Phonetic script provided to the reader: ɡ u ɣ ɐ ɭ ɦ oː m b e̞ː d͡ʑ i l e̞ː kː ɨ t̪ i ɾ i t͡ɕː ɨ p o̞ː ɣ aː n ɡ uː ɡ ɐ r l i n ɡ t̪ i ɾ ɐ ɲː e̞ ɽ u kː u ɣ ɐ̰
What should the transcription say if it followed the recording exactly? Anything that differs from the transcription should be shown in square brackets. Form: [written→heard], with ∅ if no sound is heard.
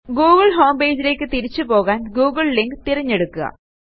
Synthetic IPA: ɡ [u→uː] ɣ ɐ ɭ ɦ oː m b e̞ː d͡ʑ i l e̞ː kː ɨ t̪ i ɾ i t͡ɕː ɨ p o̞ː ɣ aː n ɡ uː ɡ ɐ [r→ɭ] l i [n→ŋ] ɡ t̪ i ɾ ɐ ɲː e̞ ɽ u kː u ɣ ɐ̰